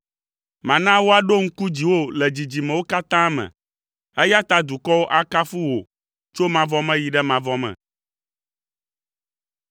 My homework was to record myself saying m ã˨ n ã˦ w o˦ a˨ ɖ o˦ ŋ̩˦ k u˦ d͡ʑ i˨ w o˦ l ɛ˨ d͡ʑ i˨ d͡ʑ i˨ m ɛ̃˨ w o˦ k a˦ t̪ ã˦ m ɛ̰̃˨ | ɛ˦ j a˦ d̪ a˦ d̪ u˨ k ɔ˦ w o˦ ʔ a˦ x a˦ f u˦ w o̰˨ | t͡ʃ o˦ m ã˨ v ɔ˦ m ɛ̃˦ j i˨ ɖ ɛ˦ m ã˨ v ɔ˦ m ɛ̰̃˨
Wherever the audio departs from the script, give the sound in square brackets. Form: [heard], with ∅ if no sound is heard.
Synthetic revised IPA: m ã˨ n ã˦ w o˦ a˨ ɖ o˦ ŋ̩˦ k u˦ d͡ʑ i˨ w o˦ l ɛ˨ d͡ʑ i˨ d͡ʑ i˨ m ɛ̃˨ w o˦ k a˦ t̪ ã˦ m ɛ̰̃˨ | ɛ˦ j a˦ [t̪] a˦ d̪ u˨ k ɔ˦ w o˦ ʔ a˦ [k] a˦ f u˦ w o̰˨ | t͡ʃ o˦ m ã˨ v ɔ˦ m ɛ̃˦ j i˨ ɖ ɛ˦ m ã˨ v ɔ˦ m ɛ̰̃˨